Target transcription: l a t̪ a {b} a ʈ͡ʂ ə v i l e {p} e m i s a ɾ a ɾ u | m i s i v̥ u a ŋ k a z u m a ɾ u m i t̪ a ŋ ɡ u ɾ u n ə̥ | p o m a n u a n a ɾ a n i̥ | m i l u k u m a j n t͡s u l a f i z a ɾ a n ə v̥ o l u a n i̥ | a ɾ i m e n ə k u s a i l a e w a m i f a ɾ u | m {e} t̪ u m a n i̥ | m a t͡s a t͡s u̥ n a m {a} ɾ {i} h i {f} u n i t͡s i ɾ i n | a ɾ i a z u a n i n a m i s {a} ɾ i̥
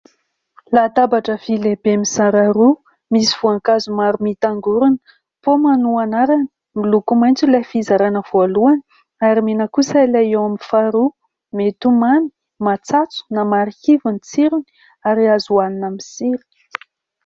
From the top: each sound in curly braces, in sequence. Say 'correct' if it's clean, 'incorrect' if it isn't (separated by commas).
correct, incorrect, correct, correct, correct, incorrect, incorrect